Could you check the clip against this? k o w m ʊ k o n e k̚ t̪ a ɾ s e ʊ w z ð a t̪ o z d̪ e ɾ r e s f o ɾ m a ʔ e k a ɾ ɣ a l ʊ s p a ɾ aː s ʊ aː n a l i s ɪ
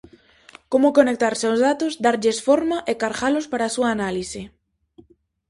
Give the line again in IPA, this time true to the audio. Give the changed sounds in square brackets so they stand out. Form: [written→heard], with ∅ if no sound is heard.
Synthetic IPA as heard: k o [w→∅] m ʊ k o n e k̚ t̪ a ɾ s e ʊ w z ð a t̪ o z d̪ [e→a] ɾ [r→ʎ] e s f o ɾ m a ʔ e k a ɾ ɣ a l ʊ s p a ɾ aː s [ʊ→u] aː n a l i s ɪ